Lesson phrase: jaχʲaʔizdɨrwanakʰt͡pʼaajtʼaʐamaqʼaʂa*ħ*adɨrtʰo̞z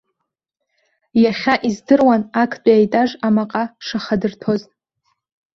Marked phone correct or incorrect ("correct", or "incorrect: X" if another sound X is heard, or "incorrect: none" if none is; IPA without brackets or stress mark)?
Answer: incorrect: χ